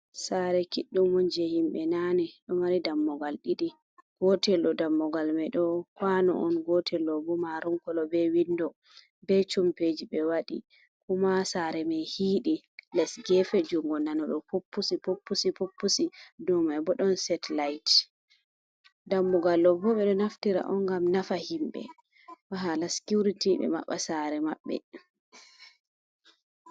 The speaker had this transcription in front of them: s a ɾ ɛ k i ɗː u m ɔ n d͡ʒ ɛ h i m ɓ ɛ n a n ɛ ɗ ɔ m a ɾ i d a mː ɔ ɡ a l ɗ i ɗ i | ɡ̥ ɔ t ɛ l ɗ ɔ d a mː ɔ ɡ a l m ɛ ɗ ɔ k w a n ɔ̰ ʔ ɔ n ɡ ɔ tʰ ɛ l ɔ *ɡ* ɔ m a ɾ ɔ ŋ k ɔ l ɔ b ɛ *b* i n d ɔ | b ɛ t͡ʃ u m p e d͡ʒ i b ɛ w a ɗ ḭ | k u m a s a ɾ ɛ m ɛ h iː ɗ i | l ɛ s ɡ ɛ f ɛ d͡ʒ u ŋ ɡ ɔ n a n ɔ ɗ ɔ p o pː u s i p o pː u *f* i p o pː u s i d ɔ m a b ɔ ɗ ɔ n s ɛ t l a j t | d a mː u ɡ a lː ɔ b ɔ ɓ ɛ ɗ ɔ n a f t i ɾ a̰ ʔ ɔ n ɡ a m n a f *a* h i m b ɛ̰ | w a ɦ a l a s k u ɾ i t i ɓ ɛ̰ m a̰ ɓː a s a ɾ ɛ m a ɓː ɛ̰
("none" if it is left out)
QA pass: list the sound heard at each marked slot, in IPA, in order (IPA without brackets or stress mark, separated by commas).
b, w, s, a